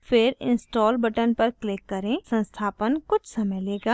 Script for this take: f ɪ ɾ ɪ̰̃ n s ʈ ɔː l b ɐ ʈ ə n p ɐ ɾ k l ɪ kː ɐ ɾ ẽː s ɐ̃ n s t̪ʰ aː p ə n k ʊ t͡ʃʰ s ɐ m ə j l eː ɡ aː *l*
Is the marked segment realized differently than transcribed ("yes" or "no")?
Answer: yes